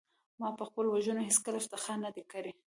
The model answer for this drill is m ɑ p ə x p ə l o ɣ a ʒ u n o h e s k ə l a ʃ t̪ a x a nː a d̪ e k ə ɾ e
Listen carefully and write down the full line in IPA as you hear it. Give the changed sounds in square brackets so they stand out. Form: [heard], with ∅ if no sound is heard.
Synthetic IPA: m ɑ p ə x p ə l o [w] a ʒ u n o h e s k ə l a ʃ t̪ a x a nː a d̪ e k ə ɾ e